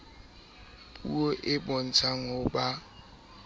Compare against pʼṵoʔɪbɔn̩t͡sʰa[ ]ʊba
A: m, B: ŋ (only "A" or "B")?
B